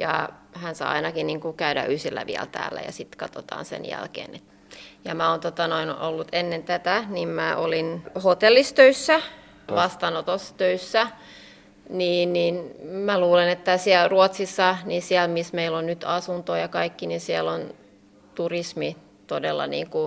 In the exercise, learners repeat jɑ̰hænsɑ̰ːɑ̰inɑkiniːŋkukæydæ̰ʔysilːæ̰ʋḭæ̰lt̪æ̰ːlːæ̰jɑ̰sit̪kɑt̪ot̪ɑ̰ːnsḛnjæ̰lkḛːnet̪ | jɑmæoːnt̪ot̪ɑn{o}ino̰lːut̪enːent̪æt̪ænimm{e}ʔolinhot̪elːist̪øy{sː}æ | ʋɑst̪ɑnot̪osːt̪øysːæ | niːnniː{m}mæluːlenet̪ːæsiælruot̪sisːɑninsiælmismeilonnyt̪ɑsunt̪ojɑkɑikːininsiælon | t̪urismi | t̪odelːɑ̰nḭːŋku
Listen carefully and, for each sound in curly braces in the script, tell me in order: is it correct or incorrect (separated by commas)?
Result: correct, incorrect, correct, incorrect